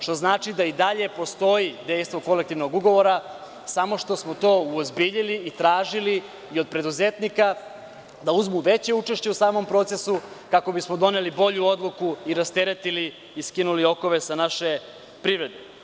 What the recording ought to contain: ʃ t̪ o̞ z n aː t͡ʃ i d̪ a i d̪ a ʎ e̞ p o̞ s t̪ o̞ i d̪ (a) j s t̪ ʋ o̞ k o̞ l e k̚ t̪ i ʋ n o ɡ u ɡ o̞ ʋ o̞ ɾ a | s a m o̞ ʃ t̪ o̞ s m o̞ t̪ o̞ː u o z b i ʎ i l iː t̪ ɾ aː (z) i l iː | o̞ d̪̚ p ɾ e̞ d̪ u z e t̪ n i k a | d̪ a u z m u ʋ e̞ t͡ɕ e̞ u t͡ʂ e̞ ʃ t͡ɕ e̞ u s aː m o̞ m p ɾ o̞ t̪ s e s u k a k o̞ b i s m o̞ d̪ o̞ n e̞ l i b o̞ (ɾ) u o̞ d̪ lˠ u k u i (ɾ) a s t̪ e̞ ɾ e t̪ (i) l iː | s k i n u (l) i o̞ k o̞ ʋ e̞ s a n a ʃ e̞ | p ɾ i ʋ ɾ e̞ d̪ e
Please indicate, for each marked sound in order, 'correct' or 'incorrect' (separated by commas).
incorrect, incorrect, incorrect, correct, correct, correct